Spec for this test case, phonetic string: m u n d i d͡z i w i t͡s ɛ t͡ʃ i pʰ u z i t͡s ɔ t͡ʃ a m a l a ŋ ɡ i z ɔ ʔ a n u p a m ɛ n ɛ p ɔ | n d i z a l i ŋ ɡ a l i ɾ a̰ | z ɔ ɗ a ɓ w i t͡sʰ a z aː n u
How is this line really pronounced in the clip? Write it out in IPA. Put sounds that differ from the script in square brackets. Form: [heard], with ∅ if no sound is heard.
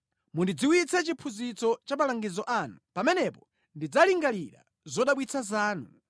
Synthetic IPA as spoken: m u n d i d͡z i w i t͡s ɛ t͡ʃ i pʰ u z i t͡s ɔ t͡ʃ a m a l a ŋ ɡ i z ɔ ʔ a n u p a m ɛ n ɛ p ɔ | n d i [d͡z] a l i ŋ ɡ a l i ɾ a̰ | z ɔ ɗ a ɓ w i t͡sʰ a z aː n u